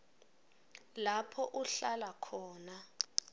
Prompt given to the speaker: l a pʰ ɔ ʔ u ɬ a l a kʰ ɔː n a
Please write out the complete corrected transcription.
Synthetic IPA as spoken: l a pʰ ɔ ʔ u ɬ a l a kʰ ɔː n a